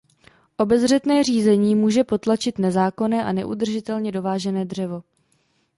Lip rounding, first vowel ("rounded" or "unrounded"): rounded